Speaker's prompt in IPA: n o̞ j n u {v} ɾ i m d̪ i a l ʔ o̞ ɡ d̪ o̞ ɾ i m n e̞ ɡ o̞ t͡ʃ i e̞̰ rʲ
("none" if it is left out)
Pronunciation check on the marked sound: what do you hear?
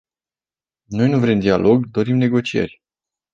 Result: v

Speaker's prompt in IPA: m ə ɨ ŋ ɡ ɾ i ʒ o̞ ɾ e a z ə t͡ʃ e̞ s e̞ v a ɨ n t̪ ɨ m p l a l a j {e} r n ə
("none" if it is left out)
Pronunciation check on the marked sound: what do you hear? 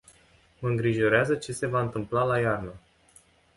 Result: a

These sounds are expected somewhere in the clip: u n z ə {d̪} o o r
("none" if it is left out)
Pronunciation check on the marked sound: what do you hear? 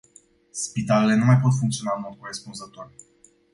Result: t̪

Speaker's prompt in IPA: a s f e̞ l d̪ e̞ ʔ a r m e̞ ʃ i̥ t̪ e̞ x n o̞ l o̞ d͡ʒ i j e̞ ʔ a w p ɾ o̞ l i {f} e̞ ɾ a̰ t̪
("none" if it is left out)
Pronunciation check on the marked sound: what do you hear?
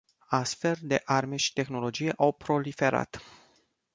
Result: f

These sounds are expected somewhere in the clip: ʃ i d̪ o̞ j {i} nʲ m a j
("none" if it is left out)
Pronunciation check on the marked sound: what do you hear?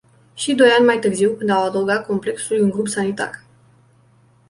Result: a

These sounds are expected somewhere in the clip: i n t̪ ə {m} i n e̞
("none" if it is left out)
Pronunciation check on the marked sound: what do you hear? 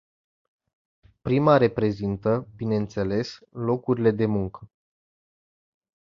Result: b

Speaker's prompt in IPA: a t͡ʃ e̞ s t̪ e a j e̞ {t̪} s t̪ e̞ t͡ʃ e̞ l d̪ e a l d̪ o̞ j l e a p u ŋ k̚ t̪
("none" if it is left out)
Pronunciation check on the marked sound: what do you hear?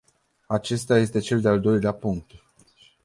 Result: none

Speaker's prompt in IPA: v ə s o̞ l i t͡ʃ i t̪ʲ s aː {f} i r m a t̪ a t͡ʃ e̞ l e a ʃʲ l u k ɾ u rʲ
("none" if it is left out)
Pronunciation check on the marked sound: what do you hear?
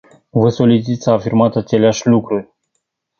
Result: f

